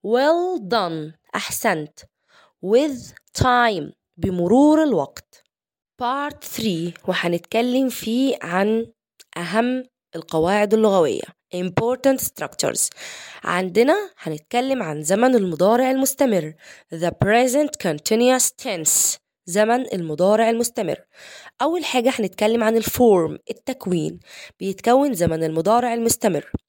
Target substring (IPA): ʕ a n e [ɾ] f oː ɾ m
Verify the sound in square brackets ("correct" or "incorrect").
incorrect